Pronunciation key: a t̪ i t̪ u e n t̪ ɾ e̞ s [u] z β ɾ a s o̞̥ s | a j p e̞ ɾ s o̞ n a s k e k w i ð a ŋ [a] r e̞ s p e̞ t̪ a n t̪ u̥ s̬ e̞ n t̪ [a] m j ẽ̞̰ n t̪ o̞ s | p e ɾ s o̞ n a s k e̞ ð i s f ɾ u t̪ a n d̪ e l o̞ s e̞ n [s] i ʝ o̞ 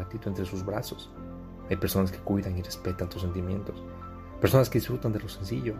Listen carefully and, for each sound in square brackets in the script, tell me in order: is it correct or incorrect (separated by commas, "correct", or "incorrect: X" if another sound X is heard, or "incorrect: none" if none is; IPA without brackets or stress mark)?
correct, incorrect: i, incorrect: i, correct